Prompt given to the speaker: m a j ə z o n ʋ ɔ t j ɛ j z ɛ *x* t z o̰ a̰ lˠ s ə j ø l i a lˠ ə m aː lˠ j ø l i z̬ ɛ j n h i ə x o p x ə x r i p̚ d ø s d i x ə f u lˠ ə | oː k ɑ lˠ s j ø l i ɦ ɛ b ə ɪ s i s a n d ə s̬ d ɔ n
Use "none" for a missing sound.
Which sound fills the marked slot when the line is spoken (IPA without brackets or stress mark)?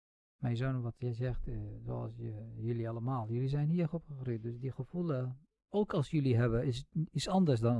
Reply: x